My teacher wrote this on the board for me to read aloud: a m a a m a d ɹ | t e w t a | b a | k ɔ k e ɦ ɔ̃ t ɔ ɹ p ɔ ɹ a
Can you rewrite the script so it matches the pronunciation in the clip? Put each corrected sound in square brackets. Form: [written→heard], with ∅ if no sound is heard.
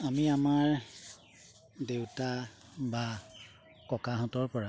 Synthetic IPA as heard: a m [a→i] a m a [d→∅] ɹ | [t→d] e w t a | b a | k ɔ k [e→a] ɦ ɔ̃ t ɔ ɹ p ɔ ɹ a